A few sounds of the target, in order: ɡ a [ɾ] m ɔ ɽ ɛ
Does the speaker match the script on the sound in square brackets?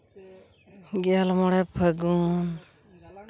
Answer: no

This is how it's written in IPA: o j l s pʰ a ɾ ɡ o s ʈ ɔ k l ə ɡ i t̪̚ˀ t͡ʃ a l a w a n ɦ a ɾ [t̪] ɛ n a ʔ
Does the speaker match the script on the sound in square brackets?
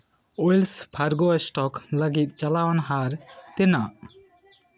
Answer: yes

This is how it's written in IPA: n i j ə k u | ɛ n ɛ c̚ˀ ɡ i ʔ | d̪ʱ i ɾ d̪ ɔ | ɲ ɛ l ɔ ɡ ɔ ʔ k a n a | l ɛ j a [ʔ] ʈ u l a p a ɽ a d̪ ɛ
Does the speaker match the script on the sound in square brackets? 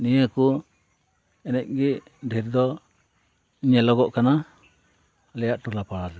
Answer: yes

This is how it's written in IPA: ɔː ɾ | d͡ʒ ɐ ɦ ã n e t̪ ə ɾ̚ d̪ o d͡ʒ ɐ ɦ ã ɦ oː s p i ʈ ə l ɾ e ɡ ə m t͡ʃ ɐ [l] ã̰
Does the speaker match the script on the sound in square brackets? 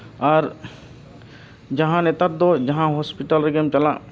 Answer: yes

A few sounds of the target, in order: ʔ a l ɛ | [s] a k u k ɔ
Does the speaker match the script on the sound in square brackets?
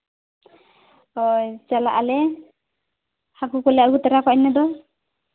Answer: no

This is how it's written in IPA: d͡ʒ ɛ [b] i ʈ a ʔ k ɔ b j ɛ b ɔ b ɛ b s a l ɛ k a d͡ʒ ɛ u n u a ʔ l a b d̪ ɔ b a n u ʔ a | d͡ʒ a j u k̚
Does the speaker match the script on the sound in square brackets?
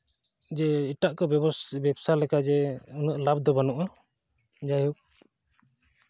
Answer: no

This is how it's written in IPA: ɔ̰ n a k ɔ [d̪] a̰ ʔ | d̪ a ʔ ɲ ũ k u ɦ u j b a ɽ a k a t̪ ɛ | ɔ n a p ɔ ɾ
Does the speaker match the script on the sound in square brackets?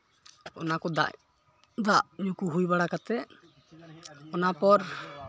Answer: yes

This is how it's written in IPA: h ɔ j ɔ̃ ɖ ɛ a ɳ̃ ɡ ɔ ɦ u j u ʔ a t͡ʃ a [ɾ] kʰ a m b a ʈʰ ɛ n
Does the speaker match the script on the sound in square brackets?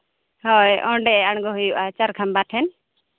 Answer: yes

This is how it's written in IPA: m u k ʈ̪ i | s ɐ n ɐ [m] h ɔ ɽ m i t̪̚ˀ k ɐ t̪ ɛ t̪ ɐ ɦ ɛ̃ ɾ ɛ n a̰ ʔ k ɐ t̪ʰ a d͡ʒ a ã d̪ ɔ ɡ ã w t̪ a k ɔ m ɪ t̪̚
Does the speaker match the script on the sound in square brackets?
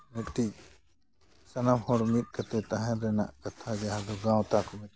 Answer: yes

